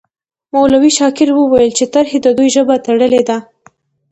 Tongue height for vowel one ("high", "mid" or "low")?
low